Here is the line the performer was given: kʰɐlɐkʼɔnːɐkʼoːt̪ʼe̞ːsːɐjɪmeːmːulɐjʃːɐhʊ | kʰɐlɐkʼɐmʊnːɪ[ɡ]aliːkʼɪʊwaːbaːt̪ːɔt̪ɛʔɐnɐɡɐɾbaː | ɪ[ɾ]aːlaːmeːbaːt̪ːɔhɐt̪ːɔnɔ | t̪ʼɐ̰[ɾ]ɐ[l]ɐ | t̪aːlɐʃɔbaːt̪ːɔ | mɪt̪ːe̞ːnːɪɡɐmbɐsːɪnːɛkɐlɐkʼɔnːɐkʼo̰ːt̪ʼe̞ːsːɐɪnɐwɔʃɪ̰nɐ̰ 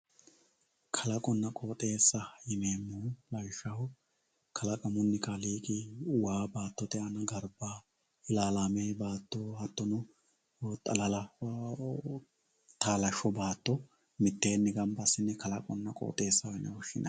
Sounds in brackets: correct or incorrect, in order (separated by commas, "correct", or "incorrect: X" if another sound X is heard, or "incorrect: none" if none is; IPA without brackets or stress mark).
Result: incorrect: k, incorrect: l, incorrect: l, correct